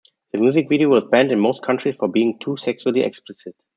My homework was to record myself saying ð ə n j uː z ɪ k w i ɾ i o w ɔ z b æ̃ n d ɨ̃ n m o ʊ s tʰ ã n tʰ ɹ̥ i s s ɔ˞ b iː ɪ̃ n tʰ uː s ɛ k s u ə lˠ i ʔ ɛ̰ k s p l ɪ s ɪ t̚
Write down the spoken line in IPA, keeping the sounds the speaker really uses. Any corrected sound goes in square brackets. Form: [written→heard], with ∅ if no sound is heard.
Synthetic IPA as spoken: ð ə [n→m] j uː z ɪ k [w→v] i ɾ i o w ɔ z b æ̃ n d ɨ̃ n m o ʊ s [tʰ→kʰ] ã n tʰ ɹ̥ i s [s→f] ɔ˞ b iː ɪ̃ [n→ŋ] tʰ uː s ɛ k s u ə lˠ i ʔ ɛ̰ k s p l ɪ s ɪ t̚